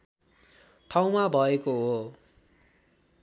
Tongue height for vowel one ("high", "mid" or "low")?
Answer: low